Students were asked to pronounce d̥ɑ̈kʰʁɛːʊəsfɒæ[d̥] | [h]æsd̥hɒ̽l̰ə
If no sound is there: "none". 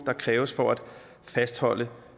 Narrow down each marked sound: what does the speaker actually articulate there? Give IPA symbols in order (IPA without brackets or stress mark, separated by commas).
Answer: d̥, f